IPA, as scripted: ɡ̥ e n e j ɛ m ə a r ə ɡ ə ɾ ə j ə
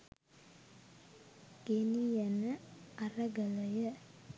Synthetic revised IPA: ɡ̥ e n i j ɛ n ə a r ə ɡ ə l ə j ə